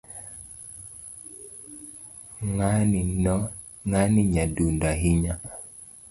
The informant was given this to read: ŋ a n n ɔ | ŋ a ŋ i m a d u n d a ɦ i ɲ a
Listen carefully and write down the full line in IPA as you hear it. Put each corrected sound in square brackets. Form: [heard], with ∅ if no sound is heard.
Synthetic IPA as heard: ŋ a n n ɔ | ŋ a [n] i [ɲ] a d u n d a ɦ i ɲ a